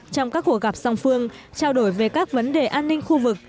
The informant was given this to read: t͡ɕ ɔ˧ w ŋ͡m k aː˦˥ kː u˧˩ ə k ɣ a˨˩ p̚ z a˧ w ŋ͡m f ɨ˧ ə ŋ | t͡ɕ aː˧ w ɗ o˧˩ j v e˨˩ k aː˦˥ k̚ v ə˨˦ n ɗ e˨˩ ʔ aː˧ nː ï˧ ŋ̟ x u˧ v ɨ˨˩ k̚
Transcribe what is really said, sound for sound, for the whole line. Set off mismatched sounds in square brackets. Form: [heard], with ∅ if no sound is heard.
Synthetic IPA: t͡ɕ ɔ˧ w ŋ͡m k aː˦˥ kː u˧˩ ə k ɣ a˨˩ p̚ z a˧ w ŋ͡m f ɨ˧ ə ŋ | t͡ɕ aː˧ w ɗ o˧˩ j v e˨˩ k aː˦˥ k̚ v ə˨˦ n ɗ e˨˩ ʔ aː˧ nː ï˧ ŋ̟ x u˧ v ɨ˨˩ k̚